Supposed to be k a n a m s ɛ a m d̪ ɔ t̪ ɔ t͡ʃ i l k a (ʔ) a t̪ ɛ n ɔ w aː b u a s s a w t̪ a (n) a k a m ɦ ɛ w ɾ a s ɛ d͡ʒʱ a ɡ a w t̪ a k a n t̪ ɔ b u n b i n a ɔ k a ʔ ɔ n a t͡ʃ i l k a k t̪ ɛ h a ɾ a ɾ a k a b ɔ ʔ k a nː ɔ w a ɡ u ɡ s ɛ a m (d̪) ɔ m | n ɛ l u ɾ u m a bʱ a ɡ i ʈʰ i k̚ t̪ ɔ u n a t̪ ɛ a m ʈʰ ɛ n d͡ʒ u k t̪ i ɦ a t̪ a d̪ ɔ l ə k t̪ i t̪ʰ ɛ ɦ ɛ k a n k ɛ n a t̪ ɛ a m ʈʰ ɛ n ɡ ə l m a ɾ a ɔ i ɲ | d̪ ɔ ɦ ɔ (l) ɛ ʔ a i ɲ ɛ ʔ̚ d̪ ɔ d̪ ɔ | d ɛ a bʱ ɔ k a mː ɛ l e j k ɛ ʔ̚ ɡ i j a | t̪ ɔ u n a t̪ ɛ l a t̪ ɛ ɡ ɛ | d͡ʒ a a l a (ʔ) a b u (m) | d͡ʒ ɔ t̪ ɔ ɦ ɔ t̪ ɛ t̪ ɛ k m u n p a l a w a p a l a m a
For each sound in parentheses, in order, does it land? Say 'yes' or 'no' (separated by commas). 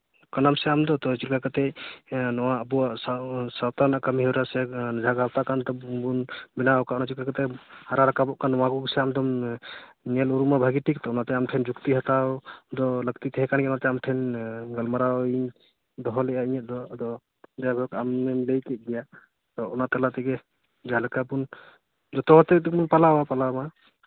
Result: no, yes, yes, yes, no, no